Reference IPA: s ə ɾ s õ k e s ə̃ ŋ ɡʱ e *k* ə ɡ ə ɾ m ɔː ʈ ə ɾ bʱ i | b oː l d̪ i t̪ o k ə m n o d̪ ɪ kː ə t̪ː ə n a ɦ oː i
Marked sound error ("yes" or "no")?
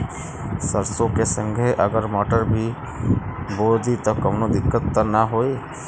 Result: yes